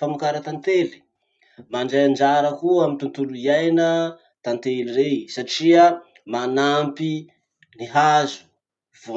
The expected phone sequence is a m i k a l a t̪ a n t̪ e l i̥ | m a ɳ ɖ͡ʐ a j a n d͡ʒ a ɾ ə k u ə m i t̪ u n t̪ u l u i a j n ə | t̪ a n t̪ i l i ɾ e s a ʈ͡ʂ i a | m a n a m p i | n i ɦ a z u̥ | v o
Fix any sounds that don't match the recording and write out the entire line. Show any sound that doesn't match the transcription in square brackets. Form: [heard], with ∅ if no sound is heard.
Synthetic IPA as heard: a m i k a [ɾ] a t̪ a n t̪ e l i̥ | m a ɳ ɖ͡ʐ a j a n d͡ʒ a ɾ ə k u [a] m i t̪ u n t̪ u l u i a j n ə | t̪ a n t̪ [e] l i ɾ e s a ʈ͡ʂ i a | m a n a m p i | n i ɦ a z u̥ | v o

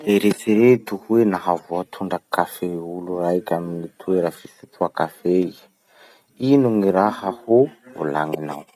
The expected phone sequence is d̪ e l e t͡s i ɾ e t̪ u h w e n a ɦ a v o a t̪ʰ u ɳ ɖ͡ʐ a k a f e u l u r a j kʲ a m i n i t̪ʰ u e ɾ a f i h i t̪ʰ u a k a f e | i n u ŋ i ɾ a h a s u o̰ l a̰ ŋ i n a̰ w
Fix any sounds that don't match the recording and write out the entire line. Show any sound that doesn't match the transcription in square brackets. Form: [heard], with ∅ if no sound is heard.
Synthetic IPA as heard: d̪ e [ɾ] e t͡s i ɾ e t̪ u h w e n a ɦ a v o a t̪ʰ u ɳ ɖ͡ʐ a k a f e u l u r a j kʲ a m i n i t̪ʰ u e ɾ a f i [s] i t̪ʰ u a k a f e | i n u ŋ i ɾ a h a [h] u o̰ l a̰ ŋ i n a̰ w

